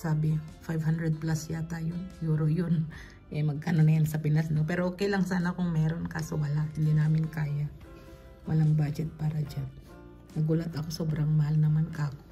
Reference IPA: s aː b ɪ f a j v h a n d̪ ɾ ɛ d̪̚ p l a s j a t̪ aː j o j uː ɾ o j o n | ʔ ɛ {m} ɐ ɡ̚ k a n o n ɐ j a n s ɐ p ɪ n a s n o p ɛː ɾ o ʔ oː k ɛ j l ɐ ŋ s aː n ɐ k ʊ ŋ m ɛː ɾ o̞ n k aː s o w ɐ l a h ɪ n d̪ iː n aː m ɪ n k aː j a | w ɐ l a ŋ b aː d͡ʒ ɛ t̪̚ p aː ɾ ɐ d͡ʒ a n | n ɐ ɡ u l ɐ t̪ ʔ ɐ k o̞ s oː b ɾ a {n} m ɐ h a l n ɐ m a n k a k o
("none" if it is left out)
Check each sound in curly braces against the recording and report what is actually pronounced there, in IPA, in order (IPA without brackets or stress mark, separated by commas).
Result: m, ŋ